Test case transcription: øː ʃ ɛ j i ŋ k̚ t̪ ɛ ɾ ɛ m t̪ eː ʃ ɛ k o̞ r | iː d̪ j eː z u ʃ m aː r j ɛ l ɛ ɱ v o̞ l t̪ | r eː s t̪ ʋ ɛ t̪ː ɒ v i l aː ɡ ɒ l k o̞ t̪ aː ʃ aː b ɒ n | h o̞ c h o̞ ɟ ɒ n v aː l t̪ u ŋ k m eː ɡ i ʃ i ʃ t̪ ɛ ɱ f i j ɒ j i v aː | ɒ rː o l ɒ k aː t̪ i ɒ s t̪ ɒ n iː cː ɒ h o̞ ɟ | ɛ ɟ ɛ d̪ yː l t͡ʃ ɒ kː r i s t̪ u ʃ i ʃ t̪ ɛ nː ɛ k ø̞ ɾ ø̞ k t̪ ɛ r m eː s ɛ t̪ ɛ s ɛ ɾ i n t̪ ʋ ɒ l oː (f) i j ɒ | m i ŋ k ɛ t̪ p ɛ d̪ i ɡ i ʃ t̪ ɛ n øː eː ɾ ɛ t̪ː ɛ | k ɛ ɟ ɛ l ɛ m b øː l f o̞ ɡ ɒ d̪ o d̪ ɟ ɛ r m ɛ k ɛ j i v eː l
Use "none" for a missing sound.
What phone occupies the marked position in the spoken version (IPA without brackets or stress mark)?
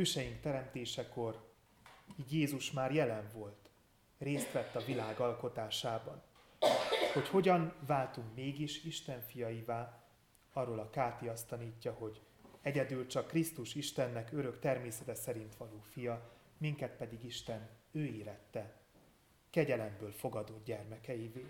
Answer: f